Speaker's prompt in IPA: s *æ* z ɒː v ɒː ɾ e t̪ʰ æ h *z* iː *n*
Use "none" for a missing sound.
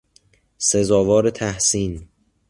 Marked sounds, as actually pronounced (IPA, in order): e, s, n

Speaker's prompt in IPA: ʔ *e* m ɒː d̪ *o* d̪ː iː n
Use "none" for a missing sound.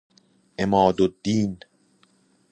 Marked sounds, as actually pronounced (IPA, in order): e, o

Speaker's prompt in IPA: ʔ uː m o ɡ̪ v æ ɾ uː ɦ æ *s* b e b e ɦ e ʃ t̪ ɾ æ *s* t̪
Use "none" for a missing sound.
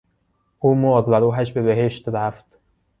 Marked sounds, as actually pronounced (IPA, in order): ʃ, f

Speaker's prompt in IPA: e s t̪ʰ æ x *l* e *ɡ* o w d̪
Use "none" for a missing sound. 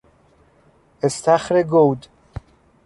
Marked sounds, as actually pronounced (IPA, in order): ɾ, ɡ

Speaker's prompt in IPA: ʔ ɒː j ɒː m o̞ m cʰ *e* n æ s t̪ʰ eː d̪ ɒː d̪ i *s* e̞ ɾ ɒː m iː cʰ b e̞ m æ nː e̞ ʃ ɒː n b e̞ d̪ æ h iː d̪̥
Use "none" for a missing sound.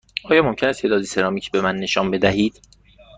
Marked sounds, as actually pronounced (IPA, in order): e, s

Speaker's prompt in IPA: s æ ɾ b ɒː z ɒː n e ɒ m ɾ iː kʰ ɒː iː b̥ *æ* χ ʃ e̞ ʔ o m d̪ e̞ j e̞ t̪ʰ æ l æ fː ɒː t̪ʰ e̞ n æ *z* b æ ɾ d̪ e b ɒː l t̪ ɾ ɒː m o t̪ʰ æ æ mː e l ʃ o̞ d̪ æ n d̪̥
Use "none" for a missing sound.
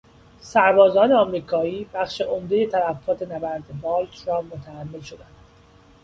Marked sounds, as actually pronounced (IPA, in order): æ, none

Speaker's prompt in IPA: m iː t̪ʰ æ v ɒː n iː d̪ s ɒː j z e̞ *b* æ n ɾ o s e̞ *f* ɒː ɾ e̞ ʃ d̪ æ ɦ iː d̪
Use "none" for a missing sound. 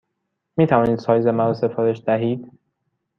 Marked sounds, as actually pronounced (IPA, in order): m, f

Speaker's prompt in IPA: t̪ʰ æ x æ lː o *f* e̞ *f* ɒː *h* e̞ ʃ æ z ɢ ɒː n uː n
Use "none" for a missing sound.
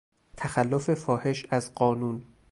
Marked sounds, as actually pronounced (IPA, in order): f, f, h

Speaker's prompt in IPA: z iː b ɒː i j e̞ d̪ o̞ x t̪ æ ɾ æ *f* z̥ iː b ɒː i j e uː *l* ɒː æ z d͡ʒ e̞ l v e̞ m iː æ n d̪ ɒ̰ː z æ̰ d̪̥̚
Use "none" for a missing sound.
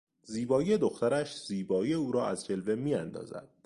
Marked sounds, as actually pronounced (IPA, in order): ʃ, ɾ

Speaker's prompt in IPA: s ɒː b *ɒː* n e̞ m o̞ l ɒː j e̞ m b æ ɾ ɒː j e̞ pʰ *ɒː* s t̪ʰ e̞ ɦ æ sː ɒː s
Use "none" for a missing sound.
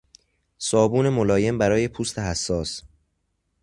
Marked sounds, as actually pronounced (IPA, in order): uː, uː

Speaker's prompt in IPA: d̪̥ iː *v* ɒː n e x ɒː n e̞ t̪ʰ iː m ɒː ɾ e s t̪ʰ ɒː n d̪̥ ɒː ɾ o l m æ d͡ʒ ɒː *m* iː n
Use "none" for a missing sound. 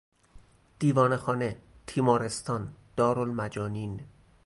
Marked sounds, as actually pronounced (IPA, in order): v, n

